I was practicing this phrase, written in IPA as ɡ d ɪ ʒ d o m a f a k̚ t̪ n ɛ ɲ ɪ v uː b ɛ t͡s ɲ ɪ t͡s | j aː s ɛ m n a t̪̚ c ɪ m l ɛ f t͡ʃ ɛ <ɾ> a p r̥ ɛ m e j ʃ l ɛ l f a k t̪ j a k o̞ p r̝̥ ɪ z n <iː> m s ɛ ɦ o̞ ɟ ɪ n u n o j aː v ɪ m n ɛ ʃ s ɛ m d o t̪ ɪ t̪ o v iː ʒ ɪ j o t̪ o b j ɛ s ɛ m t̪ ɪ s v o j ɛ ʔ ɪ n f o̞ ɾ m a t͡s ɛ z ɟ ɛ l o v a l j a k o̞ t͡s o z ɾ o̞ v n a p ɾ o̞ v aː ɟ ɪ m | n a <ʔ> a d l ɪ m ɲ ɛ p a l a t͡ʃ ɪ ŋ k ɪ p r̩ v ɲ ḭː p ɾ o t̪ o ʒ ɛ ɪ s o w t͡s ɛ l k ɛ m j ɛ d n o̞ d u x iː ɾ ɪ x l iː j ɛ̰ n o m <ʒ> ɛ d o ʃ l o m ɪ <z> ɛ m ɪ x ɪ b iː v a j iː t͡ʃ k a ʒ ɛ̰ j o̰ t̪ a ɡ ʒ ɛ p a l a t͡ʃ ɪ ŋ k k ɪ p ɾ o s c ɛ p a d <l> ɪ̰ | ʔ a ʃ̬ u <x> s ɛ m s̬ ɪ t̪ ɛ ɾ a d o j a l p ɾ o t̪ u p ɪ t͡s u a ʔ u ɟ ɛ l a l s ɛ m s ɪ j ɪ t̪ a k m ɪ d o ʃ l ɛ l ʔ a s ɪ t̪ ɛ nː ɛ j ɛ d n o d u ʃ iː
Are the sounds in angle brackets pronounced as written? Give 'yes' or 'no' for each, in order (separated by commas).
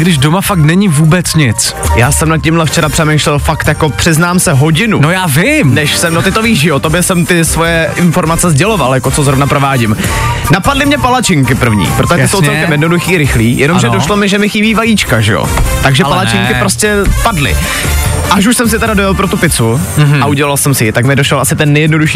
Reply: yes, no, no, yes, no, yes, no